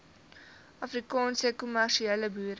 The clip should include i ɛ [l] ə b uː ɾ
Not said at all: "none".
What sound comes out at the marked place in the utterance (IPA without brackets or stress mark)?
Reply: l